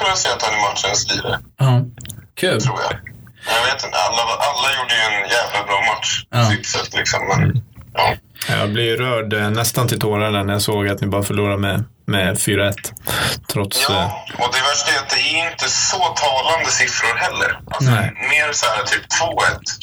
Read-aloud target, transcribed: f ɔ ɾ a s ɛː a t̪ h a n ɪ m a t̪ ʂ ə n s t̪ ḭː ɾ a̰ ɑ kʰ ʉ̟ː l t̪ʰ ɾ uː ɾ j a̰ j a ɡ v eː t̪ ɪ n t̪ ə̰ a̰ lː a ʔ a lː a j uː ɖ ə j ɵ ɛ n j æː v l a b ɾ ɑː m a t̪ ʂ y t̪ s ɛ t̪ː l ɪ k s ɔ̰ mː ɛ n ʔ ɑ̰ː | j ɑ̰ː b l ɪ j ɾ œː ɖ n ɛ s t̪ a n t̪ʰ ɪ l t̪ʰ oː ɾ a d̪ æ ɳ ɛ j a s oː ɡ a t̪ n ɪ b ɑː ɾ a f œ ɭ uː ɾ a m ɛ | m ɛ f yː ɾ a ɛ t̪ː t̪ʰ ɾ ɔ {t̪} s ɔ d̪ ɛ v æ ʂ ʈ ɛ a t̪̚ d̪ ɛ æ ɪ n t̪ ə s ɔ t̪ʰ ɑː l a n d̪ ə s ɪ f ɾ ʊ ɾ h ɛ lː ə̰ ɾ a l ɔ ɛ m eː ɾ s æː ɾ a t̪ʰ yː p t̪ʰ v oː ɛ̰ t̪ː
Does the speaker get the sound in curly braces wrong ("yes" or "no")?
no